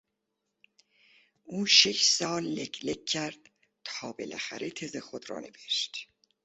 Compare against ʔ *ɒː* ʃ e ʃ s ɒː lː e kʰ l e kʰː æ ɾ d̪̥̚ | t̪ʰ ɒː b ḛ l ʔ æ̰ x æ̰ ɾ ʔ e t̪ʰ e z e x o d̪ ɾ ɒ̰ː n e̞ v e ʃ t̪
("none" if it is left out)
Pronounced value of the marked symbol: uː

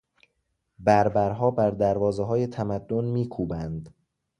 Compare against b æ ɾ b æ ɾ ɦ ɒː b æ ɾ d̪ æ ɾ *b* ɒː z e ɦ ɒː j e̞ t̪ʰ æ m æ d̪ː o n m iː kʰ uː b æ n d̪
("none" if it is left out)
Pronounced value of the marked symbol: v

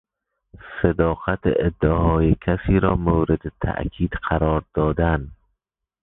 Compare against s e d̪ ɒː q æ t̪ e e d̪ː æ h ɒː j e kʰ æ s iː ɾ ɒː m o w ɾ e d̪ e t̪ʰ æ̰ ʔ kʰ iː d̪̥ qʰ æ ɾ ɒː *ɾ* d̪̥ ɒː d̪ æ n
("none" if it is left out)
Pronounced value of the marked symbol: ɾ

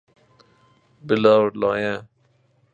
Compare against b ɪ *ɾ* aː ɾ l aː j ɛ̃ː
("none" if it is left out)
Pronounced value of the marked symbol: l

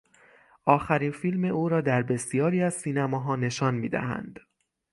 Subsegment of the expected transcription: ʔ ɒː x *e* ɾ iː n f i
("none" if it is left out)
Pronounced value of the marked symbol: æ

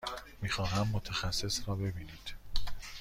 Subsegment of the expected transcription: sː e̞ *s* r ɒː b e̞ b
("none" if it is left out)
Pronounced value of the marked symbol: s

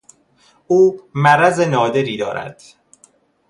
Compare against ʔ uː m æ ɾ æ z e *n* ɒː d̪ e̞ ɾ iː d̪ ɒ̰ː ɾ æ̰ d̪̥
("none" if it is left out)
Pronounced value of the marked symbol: n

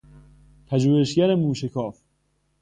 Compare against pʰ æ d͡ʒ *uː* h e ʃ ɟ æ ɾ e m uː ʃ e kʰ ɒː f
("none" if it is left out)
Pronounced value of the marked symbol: uː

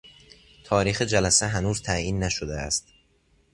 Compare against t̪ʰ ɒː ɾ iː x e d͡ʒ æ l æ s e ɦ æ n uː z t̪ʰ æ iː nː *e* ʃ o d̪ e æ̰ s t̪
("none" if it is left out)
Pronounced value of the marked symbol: æ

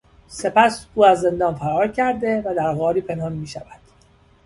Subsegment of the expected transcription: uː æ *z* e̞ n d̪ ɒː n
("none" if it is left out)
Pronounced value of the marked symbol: zː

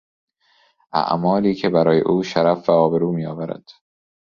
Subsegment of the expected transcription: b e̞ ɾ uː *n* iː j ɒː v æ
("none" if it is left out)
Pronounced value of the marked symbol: m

